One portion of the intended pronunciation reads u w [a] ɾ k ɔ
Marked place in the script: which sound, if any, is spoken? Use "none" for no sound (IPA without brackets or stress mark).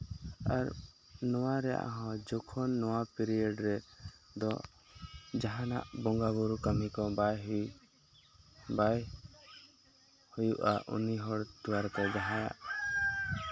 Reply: a